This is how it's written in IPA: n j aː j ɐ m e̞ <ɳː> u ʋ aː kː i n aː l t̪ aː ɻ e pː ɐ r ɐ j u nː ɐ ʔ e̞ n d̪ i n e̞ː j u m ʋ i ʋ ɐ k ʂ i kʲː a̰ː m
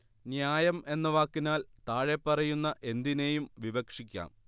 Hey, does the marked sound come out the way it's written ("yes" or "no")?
no